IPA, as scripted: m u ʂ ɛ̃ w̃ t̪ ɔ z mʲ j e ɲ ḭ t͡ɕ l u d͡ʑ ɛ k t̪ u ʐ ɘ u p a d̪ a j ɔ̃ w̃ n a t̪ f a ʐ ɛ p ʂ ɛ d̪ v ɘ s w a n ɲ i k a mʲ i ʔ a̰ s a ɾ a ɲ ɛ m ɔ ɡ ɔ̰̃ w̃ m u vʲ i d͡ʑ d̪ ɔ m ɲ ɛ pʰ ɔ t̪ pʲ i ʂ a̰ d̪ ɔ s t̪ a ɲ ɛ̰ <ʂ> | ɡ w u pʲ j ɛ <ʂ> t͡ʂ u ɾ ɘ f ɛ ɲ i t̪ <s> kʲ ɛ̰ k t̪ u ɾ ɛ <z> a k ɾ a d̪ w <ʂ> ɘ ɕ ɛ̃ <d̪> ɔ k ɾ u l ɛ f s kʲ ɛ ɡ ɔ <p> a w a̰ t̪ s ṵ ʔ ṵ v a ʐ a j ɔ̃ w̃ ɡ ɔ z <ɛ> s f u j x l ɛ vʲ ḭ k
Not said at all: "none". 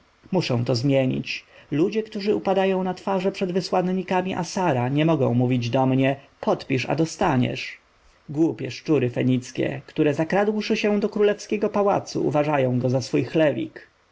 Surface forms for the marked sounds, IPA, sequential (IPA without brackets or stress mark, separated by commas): ʂ, ʂ, s, z, ʂ, d̪, p, a